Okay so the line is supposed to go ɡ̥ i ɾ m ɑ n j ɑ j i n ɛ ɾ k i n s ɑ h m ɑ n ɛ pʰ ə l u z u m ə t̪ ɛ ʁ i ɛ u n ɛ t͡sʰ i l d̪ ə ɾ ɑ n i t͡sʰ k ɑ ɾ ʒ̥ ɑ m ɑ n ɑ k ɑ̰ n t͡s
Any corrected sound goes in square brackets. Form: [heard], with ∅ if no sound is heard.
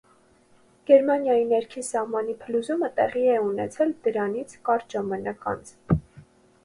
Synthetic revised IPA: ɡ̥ [ɛ] ɾ m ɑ n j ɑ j i n ɛ ɾ [kʰ] i n s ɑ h m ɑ n [i] pʰ ə l u z u m ə t̪ ɛ ʁ i ɛ u n ɛ t͡sʰ [ɛ] l d̪ ə ɾ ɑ n i t͡sʰ k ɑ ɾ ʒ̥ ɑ m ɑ n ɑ k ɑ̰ n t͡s

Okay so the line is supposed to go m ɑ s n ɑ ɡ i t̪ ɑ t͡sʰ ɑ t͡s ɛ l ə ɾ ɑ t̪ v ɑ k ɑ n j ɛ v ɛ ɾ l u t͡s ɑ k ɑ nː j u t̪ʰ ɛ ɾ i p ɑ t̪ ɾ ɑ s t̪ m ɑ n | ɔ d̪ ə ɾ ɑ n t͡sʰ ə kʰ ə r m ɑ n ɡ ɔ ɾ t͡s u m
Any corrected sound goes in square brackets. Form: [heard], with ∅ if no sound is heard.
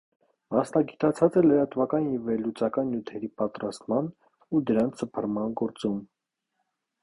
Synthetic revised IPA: m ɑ s n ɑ ɡ i t̪ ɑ t͡sʰ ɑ t͡s ɛ l ə ɾ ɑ t̪ v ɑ k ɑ n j ɛ v ɛ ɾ l u t͡s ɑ k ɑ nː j u t̪ʰ ɛ ɾ i p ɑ t̪ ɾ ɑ s t̪ m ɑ n | [u] d̪ ə ɾ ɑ n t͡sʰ ə [pʰ] ə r m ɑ n ɡ ɔ ɾ t͡s u m

